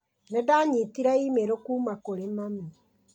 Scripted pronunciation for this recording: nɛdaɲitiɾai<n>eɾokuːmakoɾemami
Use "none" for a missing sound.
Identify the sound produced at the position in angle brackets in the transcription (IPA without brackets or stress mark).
m